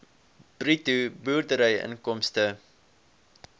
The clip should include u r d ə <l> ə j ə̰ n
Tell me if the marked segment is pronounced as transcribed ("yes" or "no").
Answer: no